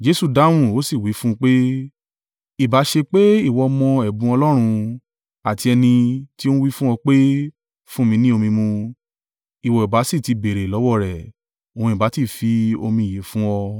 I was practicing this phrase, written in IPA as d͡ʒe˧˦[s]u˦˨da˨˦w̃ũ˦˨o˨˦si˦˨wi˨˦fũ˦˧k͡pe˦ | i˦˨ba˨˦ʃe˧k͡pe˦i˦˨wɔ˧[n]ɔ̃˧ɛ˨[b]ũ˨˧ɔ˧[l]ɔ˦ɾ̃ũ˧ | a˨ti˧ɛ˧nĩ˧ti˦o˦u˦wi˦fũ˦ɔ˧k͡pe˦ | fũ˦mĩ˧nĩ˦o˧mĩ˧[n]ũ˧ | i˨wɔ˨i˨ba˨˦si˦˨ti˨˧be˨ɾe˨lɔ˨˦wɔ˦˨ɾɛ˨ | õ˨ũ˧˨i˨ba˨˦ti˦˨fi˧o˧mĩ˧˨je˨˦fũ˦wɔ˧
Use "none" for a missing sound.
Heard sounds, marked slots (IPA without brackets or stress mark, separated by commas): s, m, b, l, m